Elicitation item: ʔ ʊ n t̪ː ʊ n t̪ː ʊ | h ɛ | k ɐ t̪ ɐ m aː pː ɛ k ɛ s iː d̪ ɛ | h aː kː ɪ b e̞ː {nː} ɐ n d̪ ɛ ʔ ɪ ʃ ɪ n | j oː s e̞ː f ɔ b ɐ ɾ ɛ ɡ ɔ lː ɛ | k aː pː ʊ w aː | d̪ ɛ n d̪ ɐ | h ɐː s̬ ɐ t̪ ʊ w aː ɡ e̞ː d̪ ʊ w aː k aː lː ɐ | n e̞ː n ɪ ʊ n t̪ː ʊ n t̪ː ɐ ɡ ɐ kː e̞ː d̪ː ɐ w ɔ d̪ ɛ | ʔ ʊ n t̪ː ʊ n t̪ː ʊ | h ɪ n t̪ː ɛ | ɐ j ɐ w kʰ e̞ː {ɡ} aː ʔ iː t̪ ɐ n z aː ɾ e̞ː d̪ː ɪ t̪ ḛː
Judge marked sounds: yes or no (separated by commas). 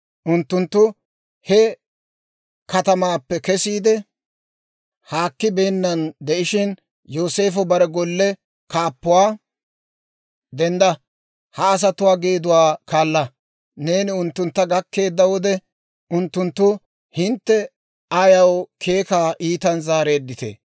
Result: yes, no